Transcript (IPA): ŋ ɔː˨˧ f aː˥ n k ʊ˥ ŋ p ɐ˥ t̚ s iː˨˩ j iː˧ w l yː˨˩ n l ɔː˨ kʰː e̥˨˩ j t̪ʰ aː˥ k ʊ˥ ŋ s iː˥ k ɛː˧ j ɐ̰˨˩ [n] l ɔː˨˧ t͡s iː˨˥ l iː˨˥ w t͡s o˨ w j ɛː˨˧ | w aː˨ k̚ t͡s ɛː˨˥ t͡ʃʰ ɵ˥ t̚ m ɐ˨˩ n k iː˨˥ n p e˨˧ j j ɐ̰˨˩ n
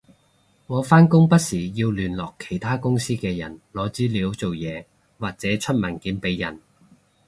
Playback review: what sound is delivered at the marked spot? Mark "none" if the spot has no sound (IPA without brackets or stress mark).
n